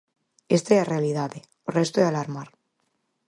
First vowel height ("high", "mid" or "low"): mid